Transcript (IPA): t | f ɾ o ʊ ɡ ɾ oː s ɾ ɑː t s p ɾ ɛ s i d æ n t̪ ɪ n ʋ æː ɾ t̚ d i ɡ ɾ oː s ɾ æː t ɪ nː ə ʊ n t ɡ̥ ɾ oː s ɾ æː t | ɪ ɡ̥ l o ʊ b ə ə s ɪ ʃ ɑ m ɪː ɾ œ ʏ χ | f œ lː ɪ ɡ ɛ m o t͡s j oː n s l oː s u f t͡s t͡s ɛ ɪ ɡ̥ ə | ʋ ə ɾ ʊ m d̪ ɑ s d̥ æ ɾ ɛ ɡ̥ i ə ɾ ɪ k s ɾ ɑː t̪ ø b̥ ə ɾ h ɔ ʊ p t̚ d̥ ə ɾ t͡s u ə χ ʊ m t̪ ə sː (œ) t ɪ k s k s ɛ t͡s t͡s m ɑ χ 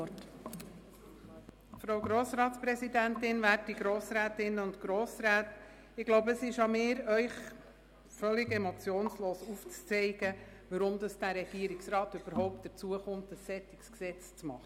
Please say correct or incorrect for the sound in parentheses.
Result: incorrect: ɛ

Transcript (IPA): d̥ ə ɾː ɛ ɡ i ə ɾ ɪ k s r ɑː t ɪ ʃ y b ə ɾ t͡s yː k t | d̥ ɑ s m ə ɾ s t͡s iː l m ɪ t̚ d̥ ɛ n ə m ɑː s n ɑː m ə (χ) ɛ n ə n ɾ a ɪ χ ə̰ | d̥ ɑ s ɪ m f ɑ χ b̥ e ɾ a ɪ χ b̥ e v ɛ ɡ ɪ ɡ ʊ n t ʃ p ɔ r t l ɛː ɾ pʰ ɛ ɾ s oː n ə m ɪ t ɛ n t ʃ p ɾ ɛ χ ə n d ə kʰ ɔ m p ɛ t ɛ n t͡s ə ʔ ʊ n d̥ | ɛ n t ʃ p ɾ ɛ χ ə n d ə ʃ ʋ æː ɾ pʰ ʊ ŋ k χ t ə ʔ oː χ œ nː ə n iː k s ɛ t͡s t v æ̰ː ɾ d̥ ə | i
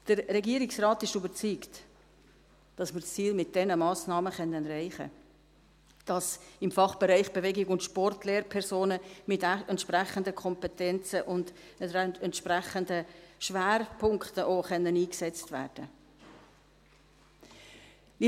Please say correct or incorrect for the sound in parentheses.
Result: correct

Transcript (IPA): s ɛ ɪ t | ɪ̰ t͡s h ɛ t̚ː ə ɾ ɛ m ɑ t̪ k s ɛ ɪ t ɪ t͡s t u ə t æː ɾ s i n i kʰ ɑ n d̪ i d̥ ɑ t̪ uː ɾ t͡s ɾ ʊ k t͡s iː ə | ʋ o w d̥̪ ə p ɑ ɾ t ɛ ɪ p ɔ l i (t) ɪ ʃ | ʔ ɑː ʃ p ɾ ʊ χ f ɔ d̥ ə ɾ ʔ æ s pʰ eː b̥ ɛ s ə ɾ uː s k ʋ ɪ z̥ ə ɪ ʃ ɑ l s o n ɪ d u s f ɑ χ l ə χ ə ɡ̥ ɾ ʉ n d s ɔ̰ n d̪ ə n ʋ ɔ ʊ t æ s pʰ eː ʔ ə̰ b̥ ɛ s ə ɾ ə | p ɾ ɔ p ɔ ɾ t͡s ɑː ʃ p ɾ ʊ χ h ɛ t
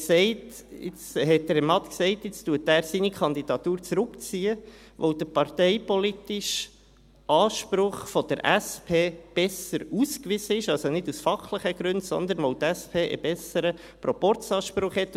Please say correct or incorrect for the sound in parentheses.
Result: correct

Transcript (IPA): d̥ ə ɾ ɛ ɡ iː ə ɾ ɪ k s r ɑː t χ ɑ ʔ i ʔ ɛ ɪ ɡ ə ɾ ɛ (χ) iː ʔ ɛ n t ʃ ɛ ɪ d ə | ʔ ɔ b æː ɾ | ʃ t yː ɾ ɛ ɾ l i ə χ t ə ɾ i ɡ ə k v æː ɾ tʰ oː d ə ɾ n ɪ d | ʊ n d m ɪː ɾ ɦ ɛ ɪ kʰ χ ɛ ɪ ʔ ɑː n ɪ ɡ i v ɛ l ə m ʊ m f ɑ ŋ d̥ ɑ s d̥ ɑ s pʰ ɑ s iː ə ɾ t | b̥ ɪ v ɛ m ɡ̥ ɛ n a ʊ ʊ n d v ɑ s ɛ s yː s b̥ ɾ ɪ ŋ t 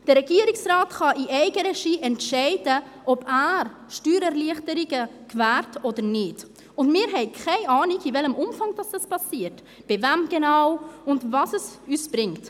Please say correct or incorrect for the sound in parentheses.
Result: incorrect: ʃ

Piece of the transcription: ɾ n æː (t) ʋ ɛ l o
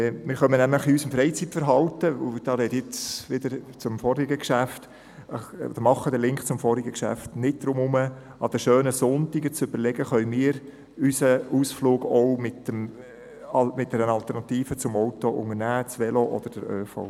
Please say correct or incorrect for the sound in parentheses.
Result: incorrect: t͡s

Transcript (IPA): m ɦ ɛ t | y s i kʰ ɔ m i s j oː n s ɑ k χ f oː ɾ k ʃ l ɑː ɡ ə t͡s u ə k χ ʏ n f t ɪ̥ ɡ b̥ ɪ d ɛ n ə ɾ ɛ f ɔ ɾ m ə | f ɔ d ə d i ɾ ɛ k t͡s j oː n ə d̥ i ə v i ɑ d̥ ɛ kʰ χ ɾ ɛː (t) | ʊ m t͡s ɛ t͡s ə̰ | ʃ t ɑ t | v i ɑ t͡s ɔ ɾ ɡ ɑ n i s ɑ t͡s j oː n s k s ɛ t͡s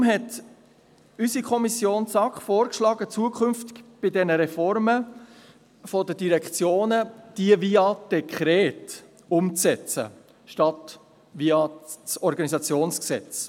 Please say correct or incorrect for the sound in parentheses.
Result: correct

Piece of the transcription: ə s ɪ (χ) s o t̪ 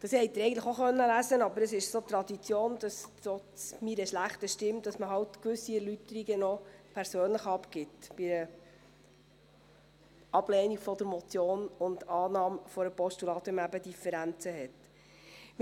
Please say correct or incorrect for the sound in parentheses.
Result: incorrect: ʃ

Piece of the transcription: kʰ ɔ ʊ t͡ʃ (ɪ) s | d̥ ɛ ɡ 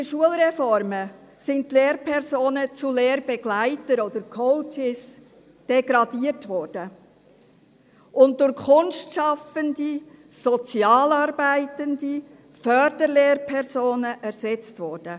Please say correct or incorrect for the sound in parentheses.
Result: correct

